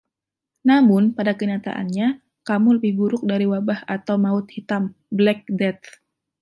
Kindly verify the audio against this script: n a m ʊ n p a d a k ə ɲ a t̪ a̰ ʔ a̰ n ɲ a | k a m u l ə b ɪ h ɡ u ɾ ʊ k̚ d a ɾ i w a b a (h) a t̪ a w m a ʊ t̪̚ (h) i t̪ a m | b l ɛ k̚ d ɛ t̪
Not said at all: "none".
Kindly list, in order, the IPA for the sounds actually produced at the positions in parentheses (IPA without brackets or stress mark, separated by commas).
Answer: h, h